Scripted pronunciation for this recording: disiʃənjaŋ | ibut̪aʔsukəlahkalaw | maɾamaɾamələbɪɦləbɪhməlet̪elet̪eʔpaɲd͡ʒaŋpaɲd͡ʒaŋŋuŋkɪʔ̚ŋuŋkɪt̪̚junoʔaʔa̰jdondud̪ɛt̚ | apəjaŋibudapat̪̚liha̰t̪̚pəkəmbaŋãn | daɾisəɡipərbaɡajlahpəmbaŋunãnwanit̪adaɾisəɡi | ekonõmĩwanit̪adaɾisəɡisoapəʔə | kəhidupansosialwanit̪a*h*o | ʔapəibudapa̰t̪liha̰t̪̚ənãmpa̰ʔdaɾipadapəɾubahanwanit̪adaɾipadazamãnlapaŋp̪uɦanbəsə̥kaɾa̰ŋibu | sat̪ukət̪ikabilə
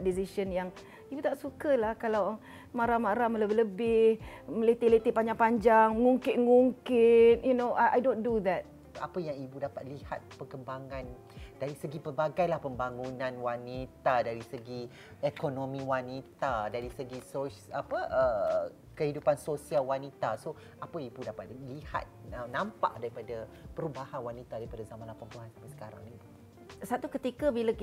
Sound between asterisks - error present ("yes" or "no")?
yes